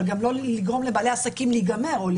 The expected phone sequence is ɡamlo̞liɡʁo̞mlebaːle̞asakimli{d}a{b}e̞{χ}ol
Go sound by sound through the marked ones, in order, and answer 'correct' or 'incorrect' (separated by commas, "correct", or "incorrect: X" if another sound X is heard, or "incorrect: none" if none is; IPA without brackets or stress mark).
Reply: incorrect: ɡ, incorrect: m, incorrect: ʁ